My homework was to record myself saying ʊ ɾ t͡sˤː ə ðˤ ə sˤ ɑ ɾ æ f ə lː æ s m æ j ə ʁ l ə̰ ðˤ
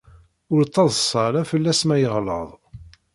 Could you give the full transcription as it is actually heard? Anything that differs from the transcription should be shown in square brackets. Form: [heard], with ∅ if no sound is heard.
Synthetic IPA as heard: ʊ ɾ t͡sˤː [ɑ] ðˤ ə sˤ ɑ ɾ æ f ə lː æ s m æ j ə ʁ l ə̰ ðˤ